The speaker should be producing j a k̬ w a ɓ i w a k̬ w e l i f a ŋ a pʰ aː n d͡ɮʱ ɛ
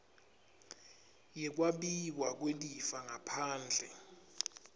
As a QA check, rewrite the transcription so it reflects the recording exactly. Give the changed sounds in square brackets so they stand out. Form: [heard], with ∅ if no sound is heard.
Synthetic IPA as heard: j [ɛ] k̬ w a ɓ i w a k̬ w e l i f a ŋ a pʰ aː n d͡ɮʱ ɛ